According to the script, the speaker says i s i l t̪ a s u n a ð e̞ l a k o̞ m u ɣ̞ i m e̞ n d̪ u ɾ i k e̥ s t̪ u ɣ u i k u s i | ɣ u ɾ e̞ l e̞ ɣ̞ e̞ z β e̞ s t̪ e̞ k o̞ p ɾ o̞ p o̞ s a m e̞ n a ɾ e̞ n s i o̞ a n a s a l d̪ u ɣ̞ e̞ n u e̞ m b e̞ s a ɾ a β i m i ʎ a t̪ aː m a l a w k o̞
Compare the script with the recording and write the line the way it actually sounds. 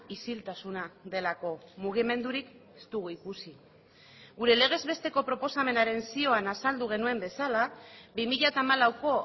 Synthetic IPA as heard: i s i l t̪ a s u n a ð e̞ l a k o̞ m u ɣ̞ i m e̞ n d̪ u ɾ i k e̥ s t̪ u ɣ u i k u s i | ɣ u ɾ e̞ l e̞ ɣ̞ e̞ z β e̞ s t̪ e̞ k o̞ p ɾ o̞ p o̞ s a m e̞ n a ɾ e̞ n s i o̞ a n a s a l d̪ u ɣ̞ e̞ n u e̞ m b e̞ s a l a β i m i ʎ a t̪ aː m a l a w k o̞